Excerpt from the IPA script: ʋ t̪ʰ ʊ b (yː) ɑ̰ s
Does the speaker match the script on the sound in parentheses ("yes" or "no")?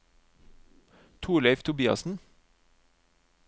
no